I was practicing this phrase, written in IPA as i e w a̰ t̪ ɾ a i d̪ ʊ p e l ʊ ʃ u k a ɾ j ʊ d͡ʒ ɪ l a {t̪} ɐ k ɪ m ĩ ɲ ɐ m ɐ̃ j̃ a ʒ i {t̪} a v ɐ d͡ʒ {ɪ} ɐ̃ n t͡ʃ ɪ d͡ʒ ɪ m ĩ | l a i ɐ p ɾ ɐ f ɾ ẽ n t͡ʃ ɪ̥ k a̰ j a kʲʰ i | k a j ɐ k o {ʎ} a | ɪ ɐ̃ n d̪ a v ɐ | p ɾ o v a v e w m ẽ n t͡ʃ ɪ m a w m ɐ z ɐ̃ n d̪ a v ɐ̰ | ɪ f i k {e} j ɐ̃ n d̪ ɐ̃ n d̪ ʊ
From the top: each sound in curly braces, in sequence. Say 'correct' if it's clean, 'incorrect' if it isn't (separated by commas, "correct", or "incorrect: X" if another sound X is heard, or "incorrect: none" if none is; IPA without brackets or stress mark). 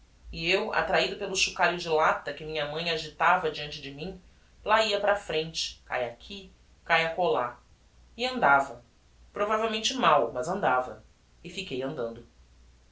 correct, correct, incorrect: i, incorrect: l, correct